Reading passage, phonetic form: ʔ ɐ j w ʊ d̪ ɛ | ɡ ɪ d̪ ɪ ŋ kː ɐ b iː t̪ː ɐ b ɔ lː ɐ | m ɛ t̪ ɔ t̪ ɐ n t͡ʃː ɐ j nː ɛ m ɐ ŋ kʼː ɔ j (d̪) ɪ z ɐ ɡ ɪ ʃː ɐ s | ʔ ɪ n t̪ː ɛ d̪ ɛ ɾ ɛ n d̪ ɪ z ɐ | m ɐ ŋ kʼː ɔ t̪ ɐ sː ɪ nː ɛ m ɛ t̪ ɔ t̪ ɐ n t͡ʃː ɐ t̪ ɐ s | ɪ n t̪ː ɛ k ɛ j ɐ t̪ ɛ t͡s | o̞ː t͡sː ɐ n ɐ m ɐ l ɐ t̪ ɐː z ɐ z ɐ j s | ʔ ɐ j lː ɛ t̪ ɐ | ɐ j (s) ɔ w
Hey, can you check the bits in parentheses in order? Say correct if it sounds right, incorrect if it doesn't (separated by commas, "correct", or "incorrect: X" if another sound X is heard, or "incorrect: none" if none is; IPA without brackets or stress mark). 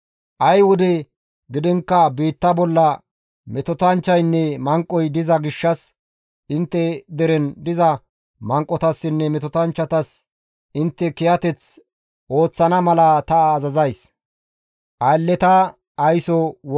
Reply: correct, correct